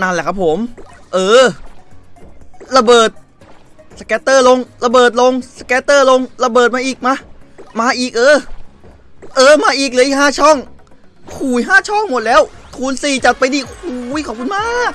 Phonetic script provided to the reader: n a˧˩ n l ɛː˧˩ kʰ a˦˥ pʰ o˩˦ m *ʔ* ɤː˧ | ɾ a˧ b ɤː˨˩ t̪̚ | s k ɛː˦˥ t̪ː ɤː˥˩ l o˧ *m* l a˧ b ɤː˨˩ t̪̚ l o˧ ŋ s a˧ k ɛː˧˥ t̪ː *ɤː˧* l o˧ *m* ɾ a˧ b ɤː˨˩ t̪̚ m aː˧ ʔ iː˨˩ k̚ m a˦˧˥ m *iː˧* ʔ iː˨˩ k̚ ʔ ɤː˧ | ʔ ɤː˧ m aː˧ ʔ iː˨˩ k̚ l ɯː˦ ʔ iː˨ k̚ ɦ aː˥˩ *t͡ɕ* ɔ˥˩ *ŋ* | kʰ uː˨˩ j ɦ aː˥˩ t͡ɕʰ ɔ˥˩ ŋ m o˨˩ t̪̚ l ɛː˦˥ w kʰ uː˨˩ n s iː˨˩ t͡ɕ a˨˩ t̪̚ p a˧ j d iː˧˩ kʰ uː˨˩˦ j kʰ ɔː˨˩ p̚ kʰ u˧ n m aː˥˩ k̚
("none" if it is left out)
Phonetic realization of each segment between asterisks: ʔ, ŋ, ɤː˥˩, ŋ, aː˧, t͡ɕʰ, ŋ

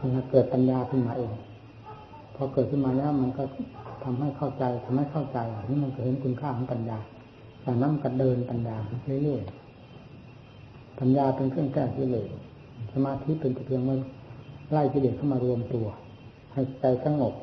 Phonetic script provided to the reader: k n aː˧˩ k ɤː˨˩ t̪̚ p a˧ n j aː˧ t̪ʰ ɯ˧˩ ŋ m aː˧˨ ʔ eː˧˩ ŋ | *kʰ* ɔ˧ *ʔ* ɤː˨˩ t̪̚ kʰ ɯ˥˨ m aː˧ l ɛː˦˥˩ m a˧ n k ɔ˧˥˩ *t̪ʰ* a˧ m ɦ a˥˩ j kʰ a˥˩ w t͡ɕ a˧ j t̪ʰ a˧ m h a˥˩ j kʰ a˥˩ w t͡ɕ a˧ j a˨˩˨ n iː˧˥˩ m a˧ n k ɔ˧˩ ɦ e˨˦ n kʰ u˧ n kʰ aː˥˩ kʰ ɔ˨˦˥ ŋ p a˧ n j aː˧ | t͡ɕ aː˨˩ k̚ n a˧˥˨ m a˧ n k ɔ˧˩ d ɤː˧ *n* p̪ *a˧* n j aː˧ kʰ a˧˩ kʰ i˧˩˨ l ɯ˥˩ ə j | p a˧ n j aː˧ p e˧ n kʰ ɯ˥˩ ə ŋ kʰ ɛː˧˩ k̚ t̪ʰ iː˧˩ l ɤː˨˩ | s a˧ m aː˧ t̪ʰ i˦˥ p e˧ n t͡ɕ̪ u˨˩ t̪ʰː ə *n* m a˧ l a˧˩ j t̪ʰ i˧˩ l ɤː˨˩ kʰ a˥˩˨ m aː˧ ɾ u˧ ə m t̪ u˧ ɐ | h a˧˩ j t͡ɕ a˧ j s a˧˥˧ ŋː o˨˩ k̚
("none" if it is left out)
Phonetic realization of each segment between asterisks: pʰ, k, t̪ʰ, n, a˧, ŋ

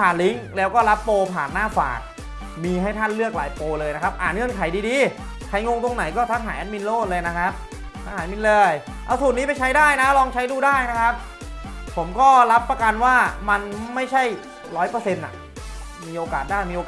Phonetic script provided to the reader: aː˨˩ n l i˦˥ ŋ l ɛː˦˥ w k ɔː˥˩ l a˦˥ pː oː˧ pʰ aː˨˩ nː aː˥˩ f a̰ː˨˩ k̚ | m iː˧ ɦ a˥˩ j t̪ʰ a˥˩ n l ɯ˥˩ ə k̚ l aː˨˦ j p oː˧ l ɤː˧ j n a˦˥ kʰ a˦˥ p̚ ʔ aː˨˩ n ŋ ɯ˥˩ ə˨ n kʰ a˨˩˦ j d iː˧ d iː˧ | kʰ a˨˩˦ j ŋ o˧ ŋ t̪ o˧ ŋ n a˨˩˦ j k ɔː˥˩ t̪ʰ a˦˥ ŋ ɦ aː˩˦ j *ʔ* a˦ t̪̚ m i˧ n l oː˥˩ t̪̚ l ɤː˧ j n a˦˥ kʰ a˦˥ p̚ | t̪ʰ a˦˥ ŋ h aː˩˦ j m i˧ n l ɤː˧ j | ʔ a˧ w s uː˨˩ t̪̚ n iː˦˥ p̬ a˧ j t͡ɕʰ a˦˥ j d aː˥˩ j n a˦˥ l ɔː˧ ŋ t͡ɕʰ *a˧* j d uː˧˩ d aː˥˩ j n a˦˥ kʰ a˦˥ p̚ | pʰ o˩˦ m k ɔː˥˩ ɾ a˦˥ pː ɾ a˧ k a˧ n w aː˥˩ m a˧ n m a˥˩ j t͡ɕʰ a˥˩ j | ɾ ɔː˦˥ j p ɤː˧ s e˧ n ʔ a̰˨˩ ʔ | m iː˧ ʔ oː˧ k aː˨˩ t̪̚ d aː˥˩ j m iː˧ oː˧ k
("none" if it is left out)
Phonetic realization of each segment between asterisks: ʔ, a˦˥

